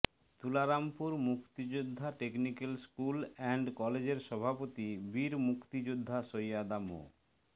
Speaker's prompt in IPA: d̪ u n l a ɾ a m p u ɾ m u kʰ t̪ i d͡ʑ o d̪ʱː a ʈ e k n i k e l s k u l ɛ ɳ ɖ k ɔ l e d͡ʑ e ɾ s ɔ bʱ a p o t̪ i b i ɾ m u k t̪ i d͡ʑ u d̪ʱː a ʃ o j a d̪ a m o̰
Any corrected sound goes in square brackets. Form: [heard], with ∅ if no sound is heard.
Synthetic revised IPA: [t̪] u [∅] l a ɾ a m p u ɾ m u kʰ t̪ i d͡ʑ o d̪ʱː a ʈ e k n i k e l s k u l ɛ ɳ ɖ k ɔ l e d͡ʑ e ɾ [ʃ] ɔ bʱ a p o t̪ i b i ɾ m u k t̪ i d͡ʑ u d̪ʱː a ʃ o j a d̪ a m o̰